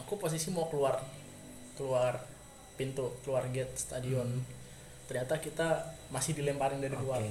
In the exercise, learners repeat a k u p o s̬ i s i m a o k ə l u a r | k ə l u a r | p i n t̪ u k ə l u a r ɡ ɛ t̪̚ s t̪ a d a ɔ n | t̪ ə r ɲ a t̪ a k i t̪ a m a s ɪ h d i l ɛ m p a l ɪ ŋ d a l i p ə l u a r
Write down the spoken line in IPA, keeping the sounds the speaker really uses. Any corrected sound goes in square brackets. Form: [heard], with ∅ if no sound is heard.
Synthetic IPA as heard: a k u p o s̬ i s i m a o k ə l u a r | k ə l u a r | p i n t̪ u k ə l u a r ɡ ɛ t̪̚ s t̪ a d [i] ɔ n | t̪ ə r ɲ a t̪ a k i t̪ a m a s ɪ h d i l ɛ m p a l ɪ ŋ d a [ɾ] i [k] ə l u a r